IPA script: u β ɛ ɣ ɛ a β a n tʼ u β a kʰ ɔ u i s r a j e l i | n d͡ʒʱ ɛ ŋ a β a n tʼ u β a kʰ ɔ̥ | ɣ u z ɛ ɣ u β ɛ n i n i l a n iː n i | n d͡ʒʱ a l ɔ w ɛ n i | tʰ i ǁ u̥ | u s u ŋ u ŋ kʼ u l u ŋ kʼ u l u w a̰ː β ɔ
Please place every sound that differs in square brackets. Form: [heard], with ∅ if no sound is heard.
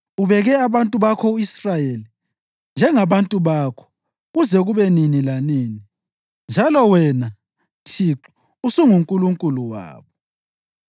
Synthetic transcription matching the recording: u β ɛ ɣ ɛ a β a n tʼ u β a kʰ ɔ u i s r a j e l i | n d͡ʒʱ ɛ ŋ a β a n tʼ u β a kʰ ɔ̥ | ɣ u z ɛ ɣ u β ɛ n i n i l a n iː n i | n d͡ʒʱ a l ɔ w ɛ n [a] | tʰ i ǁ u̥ | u s u ŋ u ŋ kʼ u l u ŋ kʼ u l u w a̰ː β ɔ